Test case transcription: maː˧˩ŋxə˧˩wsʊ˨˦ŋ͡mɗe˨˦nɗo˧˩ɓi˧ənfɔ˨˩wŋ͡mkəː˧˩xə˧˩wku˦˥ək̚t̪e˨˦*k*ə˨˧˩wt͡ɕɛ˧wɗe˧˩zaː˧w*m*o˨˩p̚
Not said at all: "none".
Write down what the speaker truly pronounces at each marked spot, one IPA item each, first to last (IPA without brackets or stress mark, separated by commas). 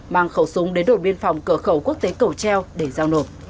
k, n